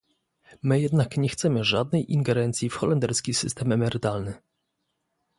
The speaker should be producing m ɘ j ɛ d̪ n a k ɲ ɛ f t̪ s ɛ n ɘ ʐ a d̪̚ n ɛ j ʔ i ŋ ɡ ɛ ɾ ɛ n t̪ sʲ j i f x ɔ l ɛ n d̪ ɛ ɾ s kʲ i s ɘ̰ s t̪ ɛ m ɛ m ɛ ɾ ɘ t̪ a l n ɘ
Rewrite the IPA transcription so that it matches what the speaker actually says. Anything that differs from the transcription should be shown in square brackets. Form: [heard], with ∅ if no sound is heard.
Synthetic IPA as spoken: m ɘ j ɛ d̪ n a k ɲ ɛ [x] t̪ s ɛ [m] ɘ ʐ a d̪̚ n ɛ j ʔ i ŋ ɡ ɛ ɾ ɛ n t̪ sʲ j i f x ɔ l ɛ n d̪ ɛ ɾ s kʲ i s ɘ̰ s t̪ ɛ m ɛ m ɛ ɾ ɘ t̪ a l n ɘ